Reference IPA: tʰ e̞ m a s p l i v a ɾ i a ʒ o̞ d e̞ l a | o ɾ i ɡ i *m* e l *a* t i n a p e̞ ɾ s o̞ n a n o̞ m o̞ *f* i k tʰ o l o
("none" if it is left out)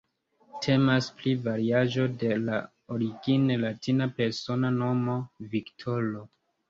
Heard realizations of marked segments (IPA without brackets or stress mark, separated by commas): n, a, v